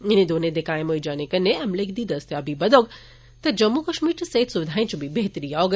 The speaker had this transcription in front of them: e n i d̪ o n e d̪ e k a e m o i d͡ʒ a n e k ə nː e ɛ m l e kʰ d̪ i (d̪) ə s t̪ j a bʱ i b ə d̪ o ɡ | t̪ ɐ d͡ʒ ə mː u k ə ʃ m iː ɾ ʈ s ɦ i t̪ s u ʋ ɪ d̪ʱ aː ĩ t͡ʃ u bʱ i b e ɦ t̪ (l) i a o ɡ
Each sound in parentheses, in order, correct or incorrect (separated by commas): correct, incorrect